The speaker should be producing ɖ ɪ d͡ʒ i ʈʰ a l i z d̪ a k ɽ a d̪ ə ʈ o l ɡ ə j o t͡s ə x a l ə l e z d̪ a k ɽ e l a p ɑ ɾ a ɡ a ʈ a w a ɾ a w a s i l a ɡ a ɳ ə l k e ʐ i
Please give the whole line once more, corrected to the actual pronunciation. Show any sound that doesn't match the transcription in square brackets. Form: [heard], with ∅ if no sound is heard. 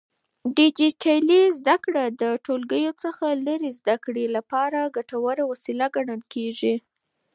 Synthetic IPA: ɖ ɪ d͡ʒ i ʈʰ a l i z d̪ a k ɽ a d̪ ə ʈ o l ɡ ə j o t͡s ə x a l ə [ɾ] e z d̪ a k ɽ e l a p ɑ ɾ a ɡ a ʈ a w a ɾ a w a s i l a ɡ a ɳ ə l k e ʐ i